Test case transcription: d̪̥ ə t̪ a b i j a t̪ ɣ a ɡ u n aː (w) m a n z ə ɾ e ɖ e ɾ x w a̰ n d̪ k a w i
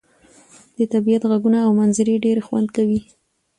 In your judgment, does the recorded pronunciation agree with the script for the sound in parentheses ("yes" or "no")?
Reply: yes